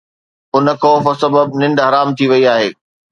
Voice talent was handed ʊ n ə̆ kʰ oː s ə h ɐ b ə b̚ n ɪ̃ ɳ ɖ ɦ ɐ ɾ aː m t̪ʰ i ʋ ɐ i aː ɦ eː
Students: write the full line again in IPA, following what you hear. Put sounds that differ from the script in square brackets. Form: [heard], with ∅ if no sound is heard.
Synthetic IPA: ʊ n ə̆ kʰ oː [f] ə [s] ɐ b ə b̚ n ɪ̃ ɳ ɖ ɦ ɐ ɾ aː m t̪ʰ i ʋ ɐ i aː ɦ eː

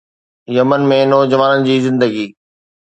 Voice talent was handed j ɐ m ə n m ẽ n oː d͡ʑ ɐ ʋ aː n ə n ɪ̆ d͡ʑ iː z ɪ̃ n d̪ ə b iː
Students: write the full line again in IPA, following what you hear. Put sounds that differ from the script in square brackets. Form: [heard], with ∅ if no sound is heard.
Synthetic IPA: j ɐ m ə n m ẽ n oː d͡ʑ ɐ ʋ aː n ə n ɪ̆ d͡ʑ iː z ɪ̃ n d̪ ə [ɡ] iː

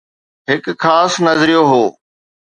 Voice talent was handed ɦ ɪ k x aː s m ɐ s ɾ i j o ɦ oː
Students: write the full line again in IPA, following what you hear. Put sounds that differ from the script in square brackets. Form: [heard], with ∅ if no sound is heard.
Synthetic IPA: ɦ ɪ k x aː s [n] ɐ [z] ɾ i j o ɦ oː

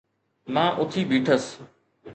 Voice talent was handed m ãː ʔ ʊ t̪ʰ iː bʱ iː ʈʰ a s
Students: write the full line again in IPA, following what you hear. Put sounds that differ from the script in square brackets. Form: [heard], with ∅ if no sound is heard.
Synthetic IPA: m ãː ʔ ʊ t̪ʰ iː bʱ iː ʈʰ [ə] s

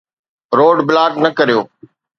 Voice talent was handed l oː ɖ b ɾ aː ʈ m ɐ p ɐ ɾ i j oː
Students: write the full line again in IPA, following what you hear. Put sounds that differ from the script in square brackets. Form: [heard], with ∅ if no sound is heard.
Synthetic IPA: [ɾ] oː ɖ b [l] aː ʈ [n] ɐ [k] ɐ ɾ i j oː

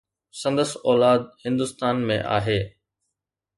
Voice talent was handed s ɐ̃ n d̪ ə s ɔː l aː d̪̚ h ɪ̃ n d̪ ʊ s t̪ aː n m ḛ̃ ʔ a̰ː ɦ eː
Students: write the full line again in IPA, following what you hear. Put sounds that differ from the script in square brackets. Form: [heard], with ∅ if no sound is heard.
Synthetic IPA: s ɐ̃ n d̪ ə s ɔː l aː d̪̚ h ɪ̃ n d̪ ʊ s t̪ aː n m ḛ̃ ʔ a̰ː ɦ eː

